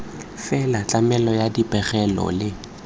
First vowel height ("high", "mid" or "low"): mid